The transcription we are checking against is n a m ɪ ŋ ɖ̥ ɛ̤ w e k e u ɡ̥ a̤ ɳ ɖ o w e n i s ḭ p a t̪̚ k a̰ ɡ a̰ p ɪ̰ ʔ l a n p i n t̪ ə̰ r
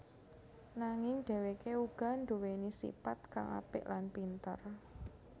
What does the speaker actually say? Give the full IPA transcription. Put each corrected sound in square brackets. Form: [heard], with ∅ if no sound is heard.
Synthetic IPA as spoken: n a [ŋ] ɪ ŋ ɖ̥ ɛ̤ w e k e u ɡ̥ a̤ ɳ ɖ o w e n i s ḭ p a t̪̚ k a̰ [ŋ] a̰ p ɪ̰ ʔ l a n p i n t̪ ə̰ r